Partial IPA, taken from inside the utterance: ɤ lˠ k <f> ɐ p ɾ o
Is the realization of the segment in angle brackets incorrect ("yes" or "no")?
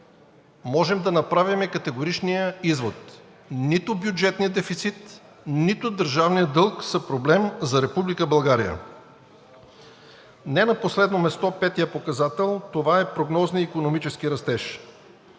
yes